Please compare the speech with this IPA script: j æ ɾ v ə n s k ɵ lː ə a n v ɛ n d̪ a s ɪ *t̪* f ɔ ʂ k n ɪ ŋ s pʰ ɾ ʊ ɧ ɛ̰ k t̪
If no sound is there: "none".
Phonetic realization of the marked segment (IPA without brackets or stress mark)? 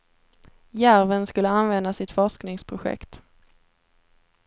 t̪